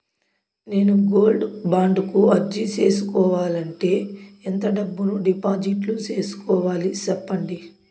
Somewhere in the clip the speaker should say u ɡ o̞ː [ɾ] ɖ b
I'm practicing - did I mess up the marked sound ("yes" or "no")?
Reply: yes